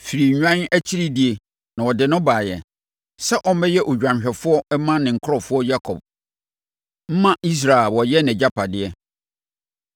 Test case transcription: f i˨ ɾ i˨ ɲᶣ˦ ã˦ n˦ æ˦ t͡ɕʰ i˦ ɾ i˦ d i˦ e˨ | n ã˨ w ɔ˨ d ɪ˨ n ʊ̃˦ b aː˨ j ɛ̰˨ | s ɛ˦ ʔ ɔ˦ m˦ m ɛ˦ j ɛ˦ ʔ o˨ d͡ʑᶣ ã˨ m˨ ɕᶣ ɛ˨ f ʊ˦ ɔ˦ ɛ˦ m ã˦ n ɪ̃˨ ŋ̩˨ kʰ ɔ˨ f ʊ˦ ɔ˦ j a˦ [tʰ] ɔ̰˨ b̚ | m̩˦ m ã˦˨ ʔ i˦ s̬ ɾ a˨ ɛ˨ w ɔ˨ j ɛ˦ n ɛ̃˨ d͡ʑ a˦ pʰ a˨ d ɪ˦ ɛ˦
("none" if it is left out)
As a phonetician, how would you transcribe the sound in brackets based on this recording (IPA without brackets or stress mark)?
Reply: kʰ